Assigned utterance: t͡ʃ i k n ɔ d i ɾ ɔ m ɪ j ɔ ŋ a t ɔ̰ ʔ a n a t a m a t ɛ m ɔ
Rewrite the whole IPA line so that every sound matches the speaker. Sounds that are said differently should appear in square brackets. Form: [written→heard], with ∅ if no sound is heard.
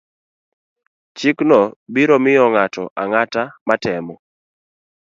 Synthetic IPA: t͡ʃ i k n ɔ [d→b] i ɾ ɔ m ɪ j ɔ ŋ a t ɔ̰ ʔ a [n→ŋ] a t a m a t ɛ m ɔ